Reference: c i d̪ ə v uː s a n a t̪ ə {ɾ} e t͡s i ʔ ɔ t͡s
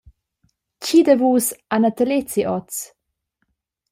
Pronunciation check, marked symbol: incorrect: l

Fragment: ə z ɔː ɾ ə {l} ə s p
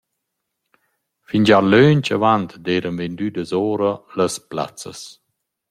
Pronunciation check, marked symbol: correct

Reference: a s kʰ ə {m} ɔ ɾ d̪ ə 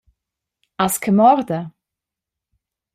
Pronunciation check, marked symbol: correct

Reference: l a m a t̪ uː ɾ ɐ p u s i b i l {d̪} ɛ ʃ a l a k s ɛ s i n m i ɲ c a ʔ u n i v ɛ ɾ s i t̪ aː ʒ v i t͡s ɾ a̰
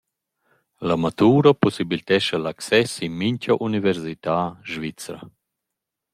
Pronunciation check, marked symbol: incorrect: t̪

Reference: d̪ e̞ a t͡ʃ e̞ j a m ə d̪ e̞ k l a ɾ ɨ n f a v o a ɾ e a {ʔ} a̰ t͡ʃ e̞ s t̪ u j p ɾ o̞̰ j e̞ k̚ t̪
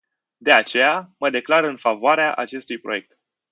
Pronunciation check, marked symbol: correct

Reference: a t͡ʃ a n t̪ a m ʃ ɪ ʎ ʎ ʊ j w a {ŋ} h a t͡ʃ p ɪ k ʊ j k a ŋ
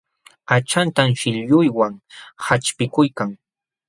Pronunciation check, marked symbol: correct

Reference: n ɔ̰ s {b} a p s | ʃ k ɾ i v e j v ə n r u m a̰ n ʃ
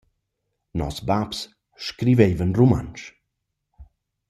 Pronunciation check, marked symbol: correct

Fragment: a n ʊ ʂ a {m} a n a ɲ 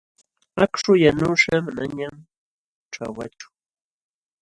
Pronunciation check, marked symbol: correct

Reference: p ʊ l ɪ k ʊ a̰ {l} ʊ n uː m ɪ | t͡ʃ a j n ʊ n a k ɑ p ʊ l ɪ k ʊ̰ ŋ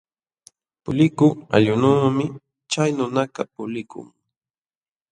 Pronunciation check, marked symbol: incorrect: ʎ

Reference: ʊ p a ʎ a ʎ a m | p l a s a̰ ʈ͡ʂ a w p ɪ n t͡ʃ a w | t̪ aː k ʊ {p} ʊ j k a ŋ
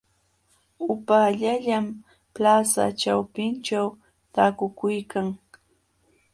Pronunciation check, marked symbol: incorrect: k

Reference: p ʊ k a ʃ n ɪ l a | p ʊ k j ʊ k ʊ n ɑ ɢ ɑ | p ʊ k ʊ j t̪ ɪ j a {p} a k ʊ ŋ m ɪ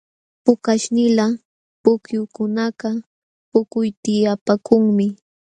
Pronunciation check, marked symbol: correct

